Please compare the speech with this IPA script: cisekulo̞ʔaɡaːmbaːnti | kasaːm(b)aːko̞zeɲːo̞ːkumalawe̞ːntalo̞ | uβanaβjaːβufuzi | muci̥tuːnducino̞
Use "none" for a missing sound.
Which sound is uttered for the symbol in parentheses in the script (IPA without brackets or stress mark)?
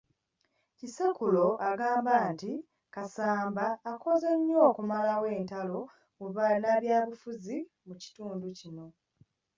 b